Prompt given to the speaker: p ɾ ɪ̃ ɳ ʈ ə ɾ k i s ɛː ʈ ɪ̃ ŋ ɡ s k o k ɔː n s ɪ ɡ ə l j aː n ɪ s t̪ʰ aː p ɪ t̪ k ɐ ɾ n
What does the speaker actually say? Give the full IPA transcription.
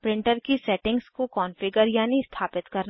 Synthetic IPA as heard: p ɾ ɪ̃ ɳ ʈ ə ɾ k i s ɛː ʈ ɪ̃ ŋ ɡ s k o k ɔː n f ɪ ɡ ə ɾ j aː n i s t̪ʰ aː p ɪ t̪ k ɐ ɾ n